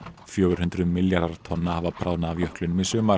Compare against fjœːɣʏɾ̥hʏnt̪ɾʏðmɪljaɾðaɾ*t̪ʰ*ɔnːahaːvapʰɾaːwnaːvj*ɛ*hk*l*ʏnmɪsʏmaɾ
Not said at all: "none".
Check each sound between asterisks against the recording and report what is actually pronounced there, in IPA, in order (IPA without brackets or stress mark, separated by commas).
t̪ʰ, œ, l